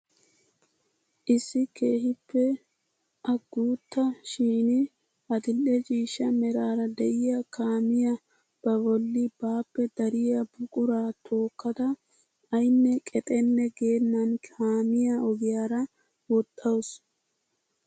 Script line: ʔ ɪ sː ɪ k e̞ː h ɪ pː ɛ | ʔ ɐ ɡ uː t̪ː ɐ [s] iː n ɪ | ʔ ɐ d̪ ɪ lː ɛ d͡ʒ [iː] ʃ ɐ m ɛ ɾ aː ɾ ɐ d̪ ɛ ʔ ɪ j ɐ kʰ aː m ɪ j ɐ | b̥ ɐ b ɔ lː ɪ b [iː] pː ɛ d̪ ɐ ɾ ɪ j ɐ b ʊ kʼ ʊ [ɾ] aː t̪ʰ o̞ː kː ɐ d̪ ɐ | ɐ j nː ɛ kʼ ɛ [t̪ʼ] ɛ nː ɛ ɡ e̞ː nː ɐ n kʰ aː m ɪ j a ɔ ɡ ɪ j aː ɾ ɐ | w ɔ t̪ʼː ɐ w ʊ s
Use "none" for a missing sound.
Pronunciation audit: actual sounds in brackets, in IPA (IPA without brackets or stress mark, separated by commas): ʃ, iː, aː, ɾ, t̪ʼ